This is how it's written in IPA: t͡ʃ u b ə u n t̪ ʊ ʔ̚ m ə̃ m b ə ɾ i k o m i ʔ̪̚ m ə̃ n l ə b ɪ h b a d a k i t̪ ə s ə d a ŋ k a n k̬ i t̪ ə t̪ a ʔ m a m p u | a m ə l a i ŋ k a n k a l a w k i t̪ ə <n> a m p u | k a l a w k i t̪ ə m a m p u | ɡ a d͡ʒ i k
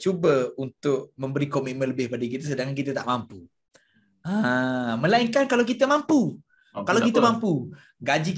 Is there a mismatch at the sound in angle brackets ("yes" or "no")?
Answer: yes